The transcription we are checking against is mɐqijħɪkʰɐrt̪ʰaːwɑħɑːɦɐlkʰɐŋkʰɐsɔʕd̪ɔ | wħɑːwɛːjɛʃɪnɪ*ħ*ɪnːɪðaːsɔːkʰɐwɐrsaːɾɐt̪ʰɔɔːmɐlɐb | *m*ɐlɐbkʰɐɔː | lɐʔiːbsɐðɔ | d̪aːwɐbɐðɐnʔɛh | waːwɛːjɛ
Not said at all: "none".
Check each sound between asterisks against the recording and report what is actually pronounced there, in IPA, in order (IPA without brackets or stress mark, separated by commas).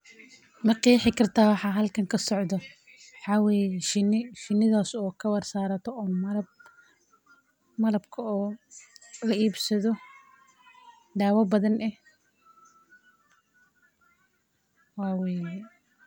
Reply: ʃ, m